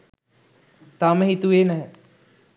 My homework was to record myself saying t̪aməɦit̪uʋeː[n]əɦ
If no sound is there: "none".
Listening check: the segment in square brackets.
n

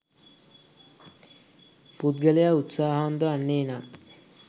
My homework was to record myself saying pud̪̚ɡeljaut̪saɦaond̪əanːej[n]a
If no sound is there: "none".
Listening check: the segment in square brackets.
n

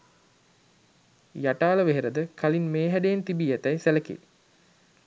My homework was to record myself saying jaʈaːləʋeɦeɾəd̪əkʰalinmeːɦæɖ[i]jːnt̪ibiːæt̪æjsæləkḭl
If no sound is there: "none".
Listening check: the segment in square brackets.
e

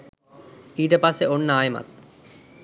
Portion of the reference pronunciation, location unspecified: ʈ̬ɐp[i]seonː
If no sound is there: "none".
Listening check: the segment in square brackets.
a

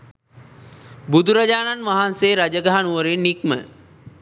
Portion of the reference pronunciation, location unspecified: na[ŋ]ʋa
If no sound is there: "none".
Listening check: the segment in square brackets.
n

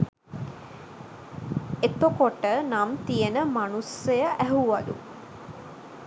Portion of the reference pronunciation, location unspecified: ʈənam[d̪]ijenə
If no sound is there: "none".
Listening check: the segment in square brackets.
t̪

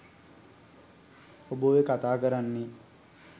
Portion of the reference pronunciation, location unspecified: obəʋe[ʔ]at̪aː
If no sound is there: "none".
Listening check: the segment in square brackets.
k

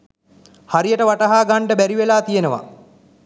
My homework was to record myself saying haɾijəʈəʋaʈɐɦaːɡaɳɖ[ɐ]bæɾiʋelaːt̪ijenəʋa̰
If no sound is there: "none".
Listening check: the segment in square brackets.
ə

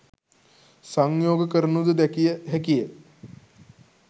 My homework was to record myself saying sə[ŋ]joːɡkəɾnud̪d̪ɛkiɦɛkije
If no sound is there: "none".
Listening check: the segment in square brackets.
ŋ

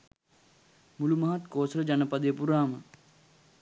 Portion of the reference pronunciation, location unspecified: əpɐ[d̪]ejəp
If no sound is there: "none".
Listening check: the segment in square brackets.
d̪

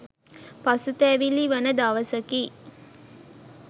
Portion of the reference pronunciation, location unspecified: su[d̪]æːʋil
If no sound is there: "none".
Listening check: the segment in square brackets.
t̪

